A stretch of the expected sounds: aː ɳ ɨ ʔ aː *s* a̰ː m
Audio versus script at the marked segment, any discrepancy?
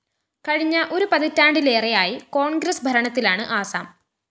no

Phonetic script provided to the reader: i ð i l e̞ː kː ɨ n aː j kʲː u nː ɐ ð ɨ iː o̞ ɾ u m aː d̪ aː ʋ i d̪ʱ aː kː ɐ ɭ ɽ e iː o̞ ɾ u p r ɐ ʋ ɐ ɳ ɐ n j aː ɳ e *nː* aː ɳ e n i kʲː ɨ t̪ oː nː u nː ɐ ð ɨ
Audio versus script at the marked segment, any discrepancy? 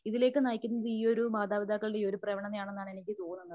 no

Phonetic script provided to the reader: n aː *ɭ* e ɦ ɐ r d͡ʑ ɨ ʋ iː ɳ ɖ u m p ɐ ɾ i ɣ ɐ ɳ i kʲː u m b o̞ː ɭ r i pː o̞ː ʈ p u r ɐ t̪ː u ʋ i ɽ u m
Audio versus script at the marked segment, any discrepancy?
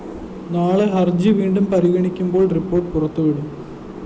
no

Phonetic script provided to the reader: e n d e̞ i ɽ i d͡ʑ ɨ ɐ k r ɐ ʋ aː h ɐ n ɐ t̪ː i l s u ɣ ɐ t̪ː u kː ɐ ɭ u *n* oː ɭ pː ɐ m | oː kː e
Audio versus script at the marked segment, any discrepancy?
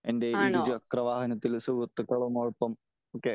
yes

